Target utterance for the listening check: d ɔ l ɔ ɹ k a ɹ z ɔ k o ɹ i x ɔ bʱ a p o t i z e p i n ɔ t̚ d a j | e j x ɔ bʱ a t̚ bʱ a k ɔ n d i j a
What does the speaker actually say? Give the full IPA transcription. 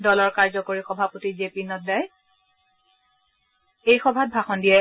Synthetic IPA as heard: d ɔ l ɔ ɹ k a ɹ z ɔ k o ɹ i x ɔ bʱ a p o t i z e p i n ɔ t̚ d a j | e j x ɔ bʱ a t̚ bʱ a x ɔ n d i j ɛ